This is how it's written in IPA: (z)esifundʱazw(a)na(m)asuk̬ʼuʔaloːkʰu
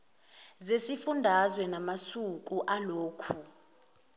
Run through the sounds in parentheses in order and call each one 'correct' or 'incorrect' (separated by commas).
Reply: correct, incorrect, correct